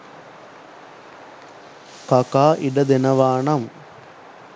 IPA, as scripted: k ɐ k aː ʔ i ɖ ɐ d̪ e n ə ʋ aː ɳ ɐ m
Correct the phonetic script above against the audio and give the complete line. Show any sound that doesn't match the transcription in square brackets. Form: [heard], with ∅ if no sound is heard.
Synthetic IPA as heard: k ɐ k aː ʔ i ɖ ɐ d̪ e n [ɐ] ʋ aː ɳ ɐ m